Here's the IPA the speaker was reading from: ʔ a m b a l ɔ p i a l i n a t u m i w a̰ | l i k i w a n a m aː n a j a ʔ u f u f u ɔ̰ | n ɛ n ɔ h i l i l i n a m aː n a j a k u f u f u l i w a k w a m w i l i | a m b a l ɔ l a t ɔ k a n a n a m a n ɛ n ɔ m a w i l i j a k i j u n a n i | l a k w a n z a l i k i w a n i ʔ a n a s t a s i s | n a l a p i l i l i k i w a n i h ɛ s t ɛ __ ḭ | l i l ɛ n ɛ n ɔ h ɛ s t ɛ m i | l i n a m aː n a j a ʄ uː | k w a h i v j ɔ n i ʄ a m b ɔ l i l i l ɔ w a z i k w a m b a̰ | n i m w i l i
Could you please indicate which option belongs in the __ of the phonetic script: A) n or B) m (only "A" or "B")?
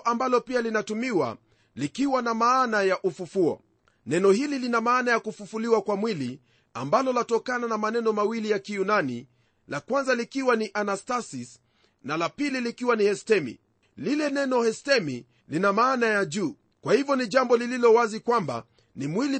B